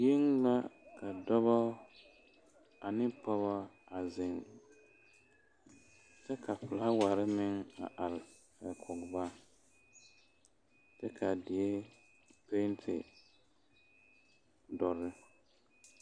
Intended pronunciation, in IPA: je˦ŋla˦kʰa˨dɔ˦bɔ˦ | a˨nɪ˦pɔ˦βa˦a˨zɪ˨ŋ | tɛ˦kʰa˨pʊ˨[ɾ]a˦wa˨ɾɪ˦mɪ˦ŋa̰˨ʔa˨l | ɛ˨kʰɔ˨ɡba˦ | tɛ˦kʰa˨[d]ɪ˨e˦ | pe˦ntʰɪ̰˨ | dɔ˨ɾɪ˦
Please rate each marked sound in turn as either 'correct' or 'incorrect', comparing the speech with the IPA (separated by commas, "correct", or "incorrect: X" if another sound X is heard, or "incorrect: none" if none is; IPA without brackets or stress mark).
incorrect: l, correct